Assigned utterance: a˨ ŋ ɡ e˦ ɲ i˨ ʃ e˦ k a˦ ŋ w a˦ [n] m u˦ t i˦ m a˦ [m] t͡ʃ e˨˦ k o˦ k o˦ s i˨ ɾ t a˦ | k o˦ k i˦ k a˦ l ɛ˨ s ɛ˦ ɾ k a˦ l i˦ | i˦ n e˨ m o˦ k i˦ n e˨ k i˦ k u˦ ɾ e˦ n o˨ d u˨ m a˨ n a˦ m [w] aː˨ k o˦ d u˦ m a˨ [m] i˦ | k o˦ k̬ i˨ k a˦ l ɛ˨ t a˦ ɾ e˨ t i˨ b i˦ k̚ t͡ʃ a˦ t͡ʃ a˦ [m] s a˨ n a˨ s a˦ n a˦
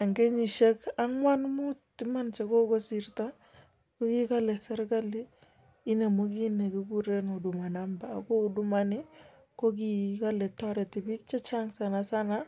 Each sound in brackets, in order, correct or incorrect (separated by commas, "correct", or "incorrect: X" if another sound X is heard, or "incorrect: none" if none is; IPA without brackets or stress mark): correct, incorrect: n, incorrect: b, incorrect: n, incorrect: ŋ